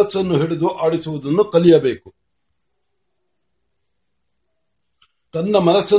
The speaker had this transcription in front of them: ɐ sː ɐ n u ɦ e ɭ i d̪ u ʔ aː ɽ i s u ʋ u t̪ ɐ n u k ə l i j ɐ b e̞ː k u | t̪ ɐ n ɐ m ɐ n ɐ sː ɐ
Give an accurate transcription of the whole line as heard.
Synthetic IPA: ɐ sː ɐ nː u ɦ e ɭ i d̪ u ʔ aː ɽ i s u ʋ u d̪ ɐ nː u k ɐ l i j ɐ b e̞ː k u | t̪ ɐ nː ɐ m ɐ n ɐ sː ɐ